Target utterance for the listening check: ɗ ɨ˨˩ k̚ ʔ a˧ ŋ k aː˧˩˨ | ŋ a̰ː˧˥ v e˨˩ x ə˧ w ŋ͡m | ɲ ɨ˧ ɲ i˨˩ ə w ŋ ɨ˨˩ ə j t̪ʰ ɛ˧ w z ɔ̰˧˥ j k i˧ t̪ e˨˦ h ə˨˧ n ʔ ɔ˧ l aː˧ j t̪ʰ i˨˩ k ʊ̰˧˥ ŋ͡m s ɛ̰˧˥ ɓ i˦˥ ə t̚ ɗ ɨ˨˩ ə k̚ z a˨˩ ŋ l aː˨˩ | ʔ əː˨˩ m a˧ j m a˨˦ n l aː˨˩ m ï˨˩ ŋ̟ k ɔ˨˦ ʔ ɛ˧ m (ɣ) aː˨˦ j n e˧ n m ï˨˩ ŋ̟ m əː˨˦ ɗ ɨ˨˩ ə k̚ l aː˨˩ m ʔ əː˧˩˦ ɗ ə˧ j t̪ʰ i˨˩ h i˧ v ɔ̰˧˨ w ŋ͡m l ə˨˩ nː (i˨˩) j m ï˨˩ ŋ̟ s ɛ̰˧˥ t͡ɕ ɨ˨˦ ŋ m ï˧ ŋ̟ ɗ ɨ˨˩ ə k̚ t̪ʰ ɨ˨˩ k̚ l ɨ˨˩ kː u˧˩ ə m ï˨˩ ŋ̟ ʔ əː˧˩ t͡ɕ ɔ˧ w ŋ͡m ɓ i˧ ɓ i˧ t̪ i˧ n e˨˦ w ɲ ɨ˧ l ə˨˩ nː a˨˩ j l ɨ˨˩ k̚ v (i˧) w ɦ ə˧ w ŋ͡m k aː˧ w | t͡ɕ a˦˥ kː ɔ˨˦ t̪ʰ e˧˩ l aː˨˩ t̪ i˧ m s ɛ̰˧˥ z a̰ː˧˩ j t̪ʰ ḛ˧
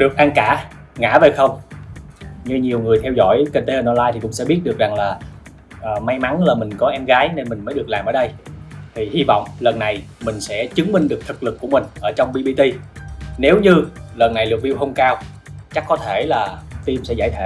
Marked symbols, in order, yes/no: yes, no, yes

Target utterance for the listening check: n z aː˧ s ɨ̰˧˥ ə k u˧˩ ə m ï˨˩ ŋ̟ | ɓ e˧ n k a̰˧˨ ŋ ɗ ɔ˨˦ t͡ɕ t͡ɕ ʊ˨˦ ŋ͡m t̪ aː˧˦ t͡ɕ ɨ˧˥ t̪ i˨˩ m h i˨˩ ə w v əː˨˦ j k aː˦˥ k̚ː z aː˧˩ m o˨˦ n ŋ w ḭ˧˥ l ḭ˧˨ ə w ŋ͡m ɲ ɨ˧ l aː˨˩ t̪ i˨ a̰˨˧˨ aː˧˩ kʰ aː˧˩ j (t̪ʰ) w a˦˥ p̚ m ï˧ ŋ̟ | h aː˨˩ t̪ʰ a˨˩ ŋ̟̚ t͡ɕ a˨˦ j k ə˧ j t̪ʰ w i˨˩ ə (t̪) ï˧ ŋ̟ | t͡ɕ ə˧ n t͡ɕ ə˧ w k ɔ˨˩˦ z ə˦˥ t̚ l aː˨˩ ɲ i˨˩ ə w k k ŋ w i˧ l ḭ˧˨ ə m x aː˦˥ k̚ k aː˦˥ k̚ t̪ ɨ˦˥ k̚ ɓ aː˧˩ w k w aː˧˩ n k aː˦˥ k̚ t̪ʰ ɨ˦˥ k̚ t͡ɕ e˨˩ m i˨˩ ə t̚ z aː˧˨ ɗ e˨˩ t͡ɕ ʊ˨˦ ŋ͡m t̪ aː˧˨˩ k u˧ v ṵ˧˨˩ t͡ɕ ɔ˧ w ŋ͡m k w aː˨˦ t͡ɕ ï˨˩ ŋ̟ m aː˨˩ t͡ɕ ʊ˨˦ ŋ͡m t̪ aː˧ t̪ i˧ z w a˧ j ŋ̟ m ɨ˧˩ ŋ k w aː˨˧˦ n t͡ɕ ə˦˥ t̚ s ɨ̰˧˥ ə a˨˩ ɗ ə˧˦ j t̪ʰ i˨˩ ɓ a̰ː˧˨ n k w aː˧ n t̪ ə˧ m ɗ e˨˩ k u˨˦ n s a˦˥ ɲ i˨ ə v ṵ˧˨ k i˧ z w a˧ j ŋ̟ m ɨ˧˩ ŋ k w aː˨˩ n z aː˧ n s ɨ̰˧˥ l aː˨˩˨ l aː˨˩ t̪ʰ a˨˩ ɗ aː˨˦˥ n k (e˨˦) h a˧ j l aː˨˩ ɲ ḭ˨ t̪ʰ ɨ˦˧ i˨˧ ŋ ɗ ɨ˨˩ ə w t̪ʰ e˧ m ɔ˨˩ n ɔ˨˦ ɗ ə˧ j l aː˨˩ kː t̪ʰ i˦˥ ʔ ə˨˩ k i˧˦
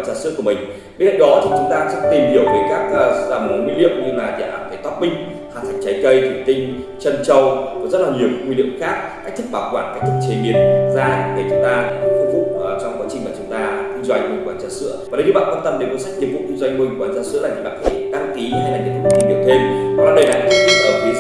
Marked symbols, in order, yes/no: no, yes, no

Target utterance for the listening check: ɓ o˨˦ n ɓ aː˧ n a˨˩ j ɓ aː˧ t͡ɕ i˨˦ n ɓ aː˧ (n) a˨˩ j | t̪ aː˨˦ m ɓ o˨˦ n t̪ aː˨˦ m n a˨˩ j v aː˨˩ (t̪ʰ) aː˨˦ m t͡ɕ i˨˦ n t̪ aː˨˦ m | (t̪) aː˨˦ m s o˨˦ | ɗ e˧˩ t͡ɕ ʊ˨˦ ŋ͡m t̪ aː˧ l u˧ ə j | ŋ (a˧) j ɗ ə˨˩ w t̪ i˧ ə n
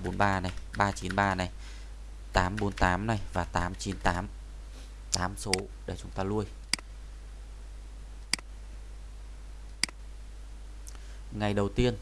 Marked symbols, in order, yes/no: yes, no, yes, no

